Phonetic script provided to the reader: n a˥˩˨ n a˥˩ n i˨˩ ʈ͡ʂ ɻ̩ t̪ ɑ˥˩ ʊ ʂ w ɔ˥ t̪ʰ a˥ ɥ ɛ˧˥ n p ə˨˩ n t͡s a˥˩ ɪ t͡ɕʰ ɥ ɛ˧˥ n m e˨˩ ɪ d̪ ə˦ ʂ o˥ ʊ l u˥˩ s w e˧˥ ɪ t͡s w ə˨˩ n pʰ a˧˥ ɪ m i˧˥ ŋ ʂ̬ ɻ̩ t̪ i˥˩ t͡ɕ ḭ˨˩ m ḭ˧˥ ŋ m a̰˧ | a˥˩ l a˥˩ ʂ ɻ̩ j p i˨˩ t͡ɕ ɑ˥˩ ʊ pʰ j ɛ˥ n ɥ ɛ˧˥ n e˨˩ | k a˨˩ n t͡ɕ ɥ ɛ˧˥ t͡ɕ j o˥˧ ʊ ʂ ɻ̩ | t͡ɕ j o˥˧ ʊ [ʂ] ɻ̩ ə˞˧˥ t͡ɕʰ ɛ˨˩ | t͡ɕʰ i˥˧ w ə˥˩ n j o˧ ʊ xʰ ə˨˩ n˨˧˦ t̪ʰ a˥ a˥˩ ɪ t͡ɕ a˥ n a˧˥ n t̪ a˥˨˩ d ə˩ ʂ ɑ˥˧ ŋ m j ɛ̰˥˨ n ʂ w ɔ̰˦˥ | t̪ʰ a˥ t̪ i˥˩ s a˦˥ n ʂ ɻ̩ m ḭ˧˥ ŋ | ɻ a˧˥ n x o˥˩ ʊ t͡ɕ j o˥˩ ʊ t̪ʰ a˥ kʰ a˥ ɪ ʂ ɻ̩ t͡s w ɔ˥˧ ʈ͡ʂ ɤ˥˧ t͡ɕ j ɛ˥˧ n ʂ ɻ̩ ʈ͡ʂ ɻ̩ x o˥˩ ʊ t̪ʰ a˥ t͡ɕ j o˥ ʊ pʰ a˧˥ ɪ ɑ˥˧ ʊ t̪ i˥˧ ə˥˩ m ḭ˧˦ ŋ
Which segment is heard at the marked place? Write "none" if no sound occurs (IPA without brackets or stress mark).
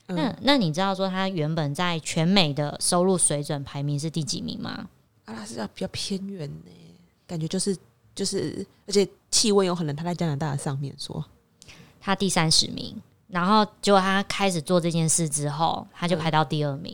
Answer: ʂ